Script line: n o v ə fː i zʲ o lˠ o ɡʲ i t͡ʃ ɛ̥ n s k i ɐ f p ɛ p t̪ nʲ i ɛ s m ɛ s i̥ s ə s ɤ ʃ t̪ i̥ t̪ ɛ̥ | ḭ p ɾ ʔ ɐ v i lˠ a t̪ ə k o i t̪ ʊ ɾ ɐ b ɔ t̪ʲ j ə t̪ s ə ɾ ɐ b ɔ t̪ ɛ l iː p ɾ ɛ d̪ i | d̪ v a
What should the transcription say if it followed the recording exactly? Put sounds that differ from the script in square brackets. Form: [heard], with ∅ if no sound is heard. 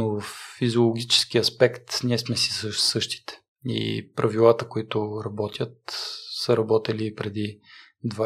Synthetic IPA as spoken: n o v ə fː i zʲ o lˠ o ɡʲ i t͡ʃ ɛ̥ [∅] s k i ɐ [s] p ɛ [k] t̪ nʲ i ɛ s m ɛ s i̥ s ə s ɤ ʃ t̪ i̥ t̪ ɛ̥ | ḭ p ɾ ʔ ɐ v i lˠ a t̪ ə k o i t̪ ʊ ɾ ɐ b ɔ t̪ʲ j ə t̪ s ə ɾ ɐ b ɔ t̪ ɛ l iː p ɾ ɛ d̪ i | d̪ v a